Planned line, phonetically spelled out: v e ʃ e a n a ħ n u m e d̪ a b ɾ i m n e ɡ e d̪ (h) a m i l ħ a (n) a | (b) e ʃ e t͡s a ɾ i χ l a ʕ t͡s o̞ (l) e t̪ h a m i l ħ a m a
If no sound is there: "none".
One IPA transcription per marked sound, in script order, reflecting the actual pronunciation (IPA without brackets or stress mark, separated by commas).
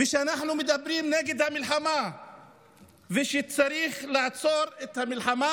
h, m, v, ɾ